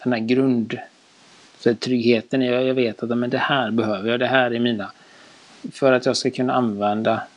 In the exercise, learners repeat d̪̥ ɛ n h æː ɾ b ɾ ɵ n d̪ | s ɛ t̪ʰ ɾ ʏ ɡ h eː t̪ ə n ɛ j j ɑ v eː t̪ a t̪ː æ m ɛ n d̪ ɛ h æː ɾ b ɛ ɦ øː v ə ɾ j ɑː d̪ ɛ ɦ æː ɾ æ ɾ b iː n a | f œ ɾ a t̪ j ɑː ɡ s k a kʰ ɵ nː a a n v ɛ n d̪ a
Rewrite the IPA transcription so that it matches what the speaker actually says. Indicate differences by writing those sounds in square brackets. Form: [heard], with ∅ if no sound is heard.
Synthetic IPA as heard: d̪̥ ɛ n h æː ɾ [ɡ] ɾ ɵ n d̪ | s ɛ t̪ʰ ɾ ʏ ɡ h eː t̪ ə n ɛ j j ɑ v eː t̪ a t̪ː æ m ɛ n d̪ ɛ h æː ɾ b ɛ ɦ øː v ə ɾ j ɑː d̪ ɛ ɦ æː ɾ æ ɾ [m] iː n a | f œ ɾ a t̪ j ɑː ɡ s k a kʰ ɵ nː a a n v ɛ n d̪ a